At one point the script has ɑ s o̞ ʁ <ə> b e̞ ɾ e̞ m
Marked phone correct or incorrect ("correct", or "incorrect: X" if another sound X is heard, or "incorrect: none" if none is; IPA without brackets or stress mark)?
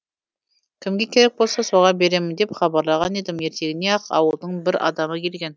incorrect: ɑ